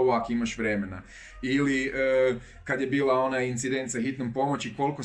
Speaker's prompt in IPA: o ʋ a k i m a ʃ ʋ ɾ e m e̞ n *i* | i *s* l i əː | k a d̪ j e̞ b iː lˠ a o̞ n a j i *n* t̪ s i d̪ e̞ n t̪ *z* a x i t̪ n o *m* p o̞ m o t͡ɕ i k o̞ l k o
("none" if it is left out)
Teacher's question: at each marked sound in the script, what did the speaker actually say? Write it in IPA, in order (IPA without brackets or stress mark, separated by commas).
a, none, n, s, m